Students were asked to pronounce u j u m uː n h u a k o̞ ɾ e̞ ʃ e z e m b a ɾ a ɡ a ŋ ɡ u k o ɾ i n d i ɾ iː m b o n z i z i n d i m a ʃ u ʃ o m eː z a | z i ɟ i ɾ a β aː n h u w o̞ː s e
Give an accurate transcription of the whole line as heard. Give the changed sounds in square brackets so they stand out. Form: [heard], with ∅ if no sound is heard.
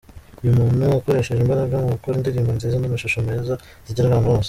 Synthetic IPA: u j u m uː n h u a k o̞ ɾ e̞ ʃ e [ʒ] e m b a ɾ a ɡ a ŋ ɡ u k o ɾ i n d i ɾ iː m b o n z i z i n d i m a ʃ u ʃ o m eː z a | z i ɟ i ɾ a β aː n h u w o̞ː s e